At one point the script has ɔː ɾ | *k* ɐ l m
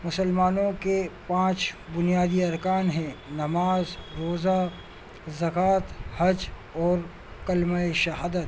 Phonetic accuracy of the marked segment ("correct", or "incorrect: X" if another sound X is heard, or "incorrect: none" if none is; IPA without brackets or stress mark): correct